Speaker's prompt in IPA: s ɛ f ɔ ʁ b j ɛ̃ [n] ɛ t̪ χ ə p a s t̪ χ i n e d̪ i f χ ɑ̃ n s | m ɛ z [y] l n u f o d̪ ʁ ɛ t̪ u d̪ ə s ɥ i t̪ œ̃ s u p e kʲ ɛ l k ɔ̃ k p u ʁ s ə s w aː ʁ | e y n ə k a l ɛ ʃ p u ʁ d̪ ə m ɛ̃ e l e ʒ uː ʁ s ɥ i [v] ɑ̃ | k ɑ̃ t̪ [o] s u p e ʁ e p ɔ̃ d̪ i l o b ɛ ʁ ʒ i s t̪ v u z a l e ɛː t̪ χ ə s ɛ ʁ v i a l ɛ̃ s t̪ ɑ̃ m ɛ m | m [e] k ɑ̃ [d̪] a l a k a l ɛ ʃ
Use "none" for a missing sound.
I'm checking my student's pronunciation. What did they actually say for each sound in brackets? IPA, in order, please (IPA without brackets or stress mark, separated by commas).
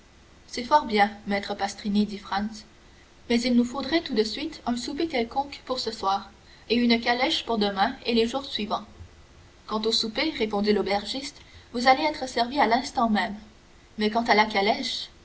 m, i, v, o, ɛ, t̪